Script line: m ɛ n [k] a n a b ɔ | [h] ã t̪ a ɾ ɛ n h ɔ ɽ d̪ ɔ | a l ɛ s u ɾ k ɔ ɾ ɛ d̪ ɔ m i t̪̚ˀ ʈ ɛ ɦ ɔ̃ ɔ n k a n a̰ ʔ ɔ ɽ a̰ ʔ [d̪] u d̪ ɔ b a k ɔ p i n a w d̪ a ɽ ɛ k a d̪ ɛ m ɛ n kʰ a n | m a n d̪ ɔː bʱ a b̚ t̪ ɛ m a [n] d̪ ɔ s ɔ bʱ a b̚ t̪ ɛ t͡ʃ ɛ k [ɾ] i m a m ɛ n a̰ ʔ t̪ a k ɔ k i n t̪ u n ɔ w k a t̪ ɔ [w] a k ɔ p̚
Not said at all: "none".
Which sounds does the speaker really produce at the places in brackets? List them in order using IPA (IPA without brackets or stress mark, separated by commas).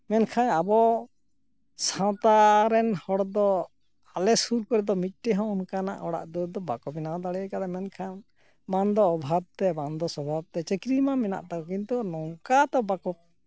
kʰ, s, d̪, n, ɾ, b